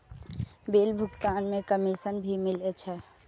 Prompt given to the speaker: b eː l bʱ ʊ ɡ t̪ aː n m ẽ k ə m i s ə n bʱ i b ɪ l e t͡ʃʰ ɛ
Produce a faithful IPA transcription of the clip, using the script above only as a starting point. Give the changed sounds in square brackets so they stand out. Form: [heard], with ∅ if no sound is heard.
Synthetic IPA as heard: b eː l bʱ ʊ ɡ t̪ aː n m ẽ k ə m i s ə n bʱ i [m] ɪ l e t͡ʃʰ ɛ